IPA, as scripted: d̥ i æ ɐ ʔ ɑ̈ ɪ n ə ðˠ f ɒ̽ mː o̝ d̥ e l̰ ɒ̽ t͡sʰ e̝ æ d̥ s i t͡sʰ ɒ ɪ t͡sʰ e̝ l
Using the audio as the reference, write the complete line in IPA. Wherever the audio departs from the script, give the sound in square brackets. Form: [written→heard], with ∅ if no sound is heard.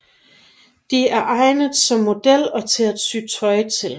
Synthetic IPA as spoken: d̥ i æ ɐ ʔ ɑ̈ ɪ n ə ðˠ [f→s] ɒ̽ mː o̝ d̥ e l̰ ɒ̽ t͡sʰ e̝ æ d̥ s [i→y] t͡sʰ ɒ ɪ t͡sʰ e̝ l